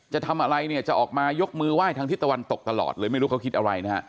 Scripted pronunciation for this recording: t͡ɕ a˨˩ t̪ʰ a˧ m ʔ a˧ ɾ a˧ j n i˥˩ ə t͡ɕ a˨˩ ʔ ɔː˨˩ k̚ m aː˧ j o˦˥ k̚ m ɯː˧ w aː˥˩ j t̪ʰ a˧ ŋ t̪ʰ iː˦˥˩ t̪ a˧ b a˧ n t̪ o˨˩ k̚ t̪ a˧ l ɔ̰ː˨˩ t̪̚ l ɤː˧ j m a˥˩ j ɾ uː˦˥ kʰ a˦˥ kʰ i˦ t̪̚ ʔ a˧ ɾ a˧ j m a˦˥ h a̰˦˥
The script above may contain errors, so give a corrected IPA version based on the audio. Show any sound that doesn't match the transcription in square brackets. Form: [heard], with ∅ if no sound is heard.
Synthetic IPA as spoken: t͡ɕ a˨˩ t̪ʰ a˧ m ʔ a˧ ɾ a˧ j n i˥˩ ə t͡ɕ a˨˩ ʔ ɔː˨˩ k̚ m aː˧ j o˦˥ k̚ m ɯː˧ w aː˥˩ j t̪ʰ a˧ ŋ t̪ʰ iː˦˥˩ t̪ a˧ [w] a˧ n t̪ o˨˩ k̚ t̪ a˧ l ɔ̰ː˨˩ t̪̚ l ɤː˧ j m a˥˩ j ɾ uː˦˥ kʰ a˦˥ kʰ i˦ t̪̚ ʔ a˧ ɾ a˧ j [n] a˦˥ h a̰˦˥